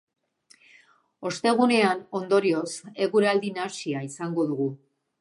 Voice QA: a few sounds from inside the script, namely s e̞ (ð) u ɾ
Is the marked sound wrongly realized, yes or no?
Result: yes